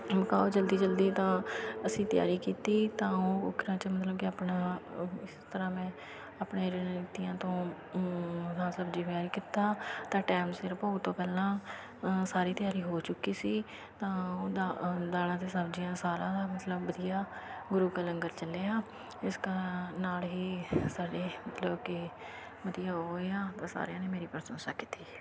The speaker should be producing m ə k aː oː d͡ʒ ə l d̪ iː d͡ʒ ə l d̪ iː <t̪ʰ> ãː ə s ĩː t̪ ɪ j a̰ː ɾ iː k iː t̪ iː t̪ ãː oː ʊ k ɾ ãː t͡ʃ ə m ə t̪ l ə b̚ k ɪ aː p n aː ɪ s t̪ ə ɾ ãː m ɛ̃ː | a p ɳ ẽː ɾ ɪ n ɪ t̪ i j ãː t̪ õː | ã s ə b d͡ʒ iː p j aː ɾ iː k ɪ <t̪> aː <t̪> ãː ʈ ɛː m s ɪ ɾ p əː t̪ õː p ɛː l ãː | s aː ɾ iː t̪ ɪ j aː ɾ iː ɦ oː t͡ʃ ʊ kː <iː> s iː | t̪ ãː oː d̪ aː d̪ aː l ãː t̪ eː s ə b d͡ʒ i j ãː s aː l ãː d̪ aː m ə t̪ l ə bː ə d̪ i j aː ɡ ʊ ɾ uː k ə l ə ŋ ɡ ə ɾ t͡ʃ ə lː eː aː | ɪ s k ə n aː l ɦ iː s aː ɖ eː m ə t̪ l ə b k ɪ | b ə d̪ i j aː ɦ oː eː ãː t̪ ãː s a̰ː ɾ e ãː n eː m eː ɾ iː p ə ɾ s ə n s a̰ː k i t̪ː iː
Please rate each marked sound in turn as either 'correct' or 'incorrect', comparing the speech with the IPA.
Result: incorrect, correct, correct, correct

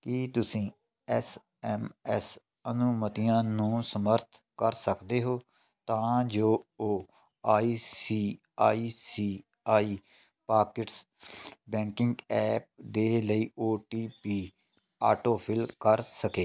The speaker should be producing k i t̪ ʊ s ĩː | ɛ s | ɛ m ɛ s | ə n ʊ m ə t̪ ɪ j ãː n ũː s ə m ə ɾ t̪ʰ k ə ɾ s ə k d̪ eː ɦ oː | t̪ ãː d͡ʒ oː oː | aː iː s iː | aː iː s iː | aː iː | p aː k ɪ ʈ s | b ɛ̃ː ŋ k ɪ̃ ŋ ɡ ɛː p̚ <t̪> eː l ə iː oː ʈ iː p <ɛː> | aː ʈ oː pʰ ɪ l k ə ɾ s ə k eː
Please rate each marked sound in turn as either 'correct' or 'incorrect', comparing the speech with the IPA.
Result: incorrect, incorrect

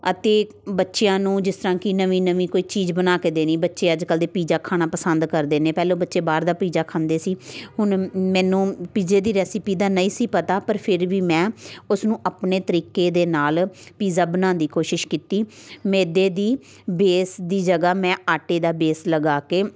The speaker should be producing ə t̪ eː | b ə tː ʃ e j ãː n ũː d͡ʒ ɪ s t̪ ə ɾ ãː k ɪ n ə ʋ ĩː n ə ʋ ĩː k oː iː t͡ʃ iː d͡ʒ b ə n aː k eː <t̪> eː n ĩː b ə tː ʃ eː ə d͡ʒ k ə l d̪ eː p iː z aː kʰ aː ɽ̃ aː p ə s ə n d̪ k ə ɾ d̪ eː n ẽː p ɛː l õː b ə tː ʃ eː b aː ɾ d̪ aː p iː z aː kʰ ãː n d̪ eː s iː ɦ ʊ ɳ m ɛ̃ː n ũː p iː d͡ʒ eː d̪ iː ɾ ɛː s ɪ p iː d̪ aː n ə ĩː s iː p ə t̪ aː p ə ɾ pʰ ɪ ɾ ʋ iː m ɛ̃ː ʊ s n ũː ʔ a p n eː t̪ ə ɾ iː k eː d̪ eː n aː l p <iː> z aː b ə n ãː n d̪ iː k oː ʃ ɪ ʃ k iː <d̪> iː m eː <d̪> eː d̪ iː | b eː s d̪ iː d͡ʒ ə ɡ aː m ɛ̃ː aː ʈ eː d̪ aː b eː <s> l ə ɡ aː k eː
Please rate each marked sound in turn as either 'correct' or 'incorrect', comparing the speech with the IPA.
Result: incorrect, correct, incorrect, correct, correct

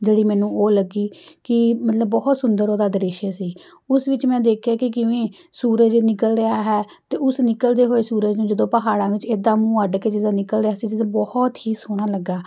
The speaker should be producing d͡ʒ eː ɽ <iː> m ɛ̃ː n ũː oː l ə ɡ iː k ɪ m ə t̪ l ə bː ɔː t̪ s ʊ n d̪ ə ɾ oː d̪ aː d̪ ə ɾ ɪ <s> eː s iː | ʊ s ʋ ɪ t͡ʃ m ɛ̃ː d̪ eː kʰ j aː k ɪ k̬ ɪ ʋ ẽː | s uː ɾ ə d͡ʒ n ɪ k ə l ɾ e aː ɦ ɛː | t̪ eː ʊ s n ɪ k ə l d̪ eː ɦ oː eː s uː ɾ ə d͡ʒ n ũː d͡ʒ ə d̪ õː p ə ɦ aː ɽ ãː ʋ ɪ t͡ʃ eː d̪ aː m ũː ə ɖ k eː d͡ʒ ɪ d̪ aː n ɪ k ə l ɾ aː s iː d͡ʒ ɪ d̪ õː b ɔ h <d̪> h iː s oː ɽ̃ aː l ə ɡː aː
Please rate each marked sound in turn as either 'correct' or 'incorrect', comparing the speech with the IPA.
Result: correct, incorrect, incorrect

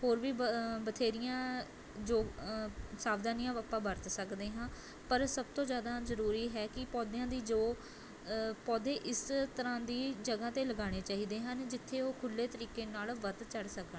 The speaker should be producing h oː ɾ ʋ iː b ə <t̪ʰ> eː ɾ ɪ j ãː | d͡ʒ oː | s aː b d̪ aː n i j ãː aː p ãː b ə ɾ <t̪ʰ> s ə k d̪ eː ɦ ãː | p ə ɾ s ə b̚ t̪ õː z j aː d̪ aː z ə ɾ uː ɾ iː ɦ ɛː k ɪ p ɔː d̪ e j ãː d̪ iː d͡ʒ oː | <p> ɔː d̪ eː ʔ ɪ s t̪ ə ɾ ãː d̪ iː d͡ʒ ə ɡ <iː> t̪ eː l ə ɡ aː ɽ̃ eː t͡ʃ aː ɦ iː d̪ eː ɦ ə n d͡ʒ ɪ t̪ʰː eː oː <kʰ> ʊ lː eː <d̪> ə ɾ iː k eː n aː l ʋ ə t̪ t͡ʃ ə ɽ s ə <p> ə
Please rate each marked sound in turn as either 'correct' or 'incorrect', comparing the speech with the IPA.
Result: correct, incorrect, correct, incorrect, correct, incorrect, incorrect

